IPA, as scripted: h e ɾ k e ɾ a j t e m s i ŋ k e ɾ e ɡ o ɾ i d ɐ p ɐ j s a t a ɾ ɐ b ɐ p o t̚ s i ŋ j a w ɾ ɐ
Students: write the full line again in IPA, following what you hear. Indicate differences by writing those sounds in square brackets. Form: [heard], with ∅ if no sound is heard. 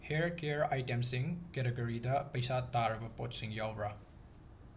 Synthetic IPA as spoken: h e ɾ k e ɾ a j t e m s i ŋ k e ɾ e ɡ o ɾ i d ɐ p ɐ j s a t a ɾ ɐ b ɐ p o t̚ s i ŋ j a w ɾ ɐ